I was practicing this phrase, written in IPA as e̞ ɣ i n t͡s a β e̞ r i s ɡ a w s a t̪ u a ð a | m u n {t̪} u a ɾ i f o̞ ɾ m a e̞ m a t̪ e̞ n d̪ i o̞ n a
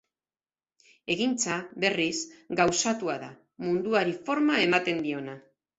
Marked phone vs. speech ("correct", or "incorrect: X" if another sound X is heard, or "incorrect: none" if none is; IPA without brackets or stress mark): incorrect: d̪